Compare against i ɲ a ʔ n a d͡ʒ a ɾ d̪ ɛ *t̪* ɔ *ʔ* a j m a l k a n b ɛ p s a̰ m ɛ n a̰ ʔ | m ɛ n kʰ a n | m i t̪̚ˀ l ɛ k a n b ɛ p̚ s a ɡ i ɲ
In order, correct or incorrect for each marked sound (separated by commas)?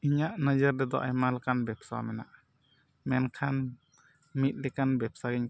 incorrect, correct